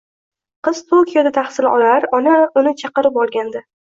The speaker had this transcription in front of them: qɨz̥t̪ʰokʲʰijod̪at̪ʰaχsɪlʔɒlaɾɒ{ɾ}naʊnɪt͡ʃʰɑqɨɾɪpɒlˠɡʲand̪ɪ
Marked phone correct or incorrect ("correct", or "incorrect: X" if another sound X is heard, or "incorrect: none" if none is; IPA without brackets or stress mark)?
incorrect: none